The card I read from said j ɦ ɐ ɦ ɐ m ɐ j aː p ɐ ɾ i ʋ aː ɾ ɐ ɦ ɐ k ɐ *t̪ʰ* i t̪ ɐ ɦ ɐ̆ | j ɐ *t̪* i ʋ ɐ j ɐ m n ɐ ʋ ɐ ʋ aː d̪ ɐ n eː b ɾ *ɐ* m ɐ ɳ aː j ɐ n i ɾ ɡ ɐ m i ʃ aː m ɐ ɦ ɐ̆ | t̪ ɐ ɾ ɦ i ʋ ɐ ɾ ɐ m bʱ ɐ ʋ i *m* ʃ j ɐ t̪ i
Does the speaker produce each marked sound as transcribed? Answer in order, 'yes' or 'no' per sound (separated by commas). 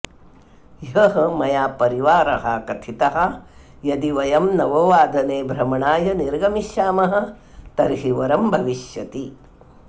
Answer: yes, no, yes, no